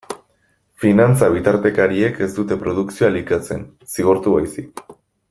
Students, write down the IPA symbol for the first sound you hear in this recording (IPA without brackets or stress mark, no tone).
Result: f